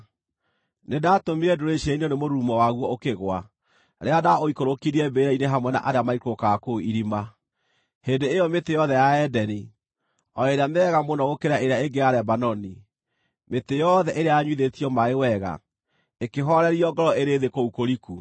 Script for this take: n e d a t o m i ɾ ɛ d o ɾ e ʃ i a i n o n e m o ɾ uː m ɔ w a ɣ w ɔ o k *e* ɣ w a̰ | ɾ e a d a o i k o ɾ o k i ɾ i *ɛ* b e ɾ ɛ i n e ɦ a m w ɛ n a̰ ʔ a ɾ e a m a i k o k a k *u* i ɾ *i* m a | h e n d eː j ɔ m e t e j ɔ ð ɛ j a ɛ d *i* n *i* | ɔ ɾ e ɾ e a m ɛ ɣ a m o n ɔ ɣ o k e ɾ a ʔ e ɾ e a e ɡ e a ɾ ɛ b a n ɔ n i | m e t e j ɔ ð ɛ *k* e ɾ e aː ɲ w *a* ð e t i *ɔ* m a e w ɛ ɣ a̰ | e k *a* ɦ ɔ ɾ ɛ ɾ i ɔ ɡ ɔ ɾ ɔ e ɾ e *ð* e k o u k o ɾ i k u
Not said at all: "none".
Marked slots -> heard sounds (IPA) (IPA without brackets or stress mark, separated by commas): e, ɛ, o, i, ɛ, i, ʔ, i, ɔ, e, ð